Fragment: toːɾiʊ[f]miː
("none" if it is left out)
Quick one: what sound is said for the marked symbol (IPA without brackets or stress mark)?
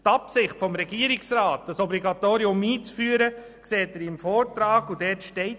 none